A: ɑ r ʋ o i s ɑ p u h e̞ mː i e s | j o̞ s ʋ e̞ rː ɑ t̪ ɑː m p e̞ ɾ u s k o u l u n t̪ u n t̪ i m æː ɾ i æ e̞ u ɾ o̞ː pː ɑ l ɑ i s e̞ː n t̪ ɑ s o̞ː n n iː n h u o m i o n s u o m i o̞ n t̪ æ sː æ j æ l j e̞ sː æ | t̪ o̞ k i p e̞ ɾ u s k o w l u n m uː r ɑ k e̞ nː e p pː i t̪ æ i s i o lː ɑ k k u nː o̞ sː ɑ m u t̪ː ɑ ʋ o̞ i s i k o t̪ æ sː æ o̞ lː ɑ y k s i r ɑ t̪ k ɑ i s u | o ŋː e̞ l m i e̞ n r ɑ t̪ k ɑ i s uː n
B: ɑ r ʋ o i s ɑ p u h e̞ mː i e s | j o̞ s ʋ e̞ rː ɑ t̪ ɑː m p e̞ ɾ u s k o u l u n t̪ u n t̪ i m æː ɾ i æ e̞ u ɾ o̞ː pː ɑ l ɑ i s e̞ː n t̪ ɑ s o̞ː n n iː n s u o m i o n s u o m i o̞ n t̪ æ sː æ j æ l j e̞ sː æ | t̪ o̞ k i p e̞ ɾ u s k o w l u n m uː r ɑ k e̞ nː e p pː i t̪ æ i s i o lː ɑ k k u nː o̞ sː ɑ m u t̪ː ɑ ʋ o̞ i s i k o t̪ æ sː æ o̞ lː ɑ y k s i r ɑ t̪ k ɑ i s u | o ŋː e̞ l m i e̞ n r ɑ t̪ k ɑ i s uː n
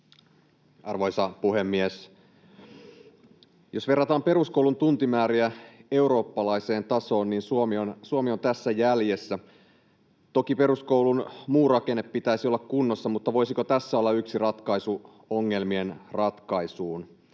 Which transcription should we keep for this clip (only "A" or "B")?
B